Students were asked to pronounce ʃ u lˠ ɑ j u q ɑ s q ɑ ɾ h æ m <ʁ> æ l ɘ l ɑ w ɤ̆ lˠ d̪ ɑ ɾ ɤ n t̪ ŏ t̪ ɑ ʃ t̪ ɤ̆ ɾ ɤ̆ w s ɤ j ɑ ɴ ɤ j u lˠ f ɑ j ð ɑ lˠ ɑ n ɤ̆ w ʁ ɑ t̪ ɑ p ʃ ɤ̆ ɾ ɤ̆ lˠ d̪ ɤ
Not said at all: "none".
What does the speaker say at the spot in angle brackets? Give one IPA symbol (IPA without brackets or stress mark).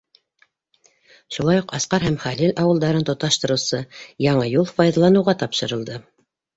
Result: χ